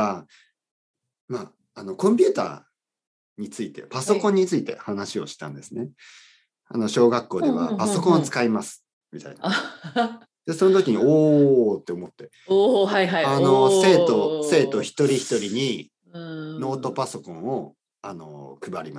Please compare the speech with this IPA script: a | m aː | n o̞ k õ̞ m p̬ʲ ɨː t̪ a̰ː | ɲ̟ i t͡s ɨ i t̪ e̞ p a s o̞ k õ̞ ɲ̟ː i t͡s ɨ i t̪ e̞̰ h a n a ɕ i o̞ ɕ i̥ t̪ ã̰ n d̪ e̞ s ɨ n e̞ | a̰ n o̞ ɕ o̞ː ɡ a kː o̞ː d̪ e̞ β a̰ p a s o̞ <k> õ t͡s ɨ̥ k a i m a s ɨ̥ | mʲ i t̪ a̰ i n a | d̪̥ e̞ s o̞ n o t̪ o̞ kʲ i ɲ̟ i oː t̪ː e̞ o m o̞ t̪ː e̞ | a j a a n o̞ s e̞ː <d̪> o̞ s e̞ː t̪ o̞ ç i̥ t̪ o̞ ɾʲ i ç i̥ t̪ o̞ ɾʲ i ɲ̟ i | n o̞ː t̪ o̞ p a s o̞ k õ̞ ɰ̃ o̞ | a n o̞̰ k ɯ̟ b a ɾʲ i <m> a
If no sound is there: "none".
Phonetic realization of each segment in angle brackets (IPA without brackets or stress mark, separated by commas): k, t̪, m